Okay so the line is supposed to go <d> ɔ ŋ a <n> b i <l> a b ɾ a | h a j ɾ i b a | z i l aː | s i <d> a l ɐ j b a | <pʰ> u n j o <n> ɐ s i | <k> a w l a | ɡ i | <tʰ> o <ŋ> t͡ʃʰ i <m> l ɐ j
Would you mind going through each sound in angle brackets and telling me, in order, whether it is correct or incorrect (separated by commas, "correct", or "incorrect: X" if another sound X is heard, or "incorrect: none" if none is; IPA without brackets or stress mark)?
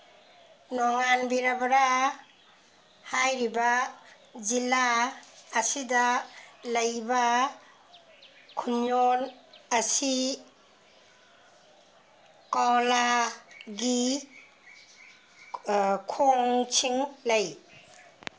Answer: incorrect: n, correct, incorrect: ɾ, correct, incorrect: kʰ, correct, correct, incorrect: kʰ, correct, incorrect: ŋ